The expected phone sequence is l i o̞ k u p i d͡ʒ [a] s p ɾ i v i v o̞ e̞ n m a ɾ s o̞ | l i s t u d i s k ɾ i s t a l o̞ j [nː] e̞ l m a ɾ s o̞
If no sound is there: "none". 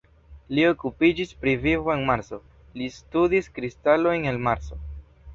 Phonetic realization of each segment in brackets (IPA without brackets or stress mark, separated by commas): i, n